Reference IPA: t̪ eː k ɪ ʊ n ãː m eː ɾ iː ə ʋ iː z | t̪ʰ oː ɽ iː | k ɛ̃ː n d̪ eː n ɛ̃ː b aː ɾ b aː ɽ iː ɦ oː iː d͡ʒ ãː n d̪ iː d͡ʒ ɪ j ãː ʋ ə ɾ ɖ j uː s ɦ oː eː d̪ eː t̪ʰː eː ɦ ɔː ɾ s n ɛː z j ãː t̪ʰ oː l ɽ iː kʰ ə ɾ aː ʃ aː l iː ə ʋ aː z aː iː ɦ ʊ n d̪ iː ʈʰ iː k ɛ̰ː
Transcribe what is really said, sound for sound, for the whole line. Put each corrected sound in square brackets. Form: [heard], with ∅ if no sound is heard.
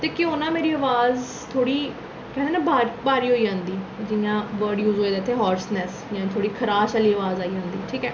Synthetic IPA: t̪ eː k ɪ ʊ n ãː m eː ɾ iː ə ʋ [aː] z | t̪ʰ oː ɽ iː | k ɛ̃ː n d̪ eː n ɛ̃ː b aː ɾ b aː [ɾ] iː ɦ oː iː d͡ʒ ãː n d̪ iː d͡ʒ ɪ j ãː ʋ ə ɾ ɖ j uː [z] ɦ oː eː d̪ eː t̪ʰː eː ɦ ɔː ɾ s n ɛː [s] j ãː t̪ʰ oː [∅] ɽ iː kʰ ə ɾ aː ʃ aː l iː ə ʋ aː z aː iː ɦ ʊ n d̪ iː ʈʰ iː k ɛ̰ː